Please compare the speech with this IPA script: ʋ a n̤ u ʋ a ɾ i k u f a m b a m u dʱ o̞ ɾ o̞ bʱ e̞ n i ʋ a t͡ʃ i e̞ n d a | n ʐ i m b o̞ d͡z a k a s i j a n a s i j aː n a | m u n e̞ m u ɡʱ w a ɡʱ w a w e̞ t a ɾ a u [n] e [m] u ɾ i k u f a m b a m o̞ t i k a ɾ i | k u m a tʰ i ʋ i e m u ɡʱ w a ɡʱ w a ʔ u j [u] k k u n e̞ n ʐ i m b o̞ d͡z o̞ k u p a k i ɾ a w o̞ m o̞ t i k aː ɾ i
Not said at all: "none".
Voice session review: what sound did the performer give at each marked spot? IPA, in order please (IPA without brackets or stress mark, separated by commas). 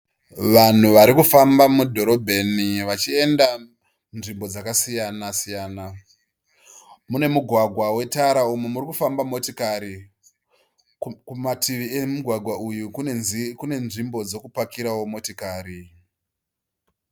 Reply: m, m, u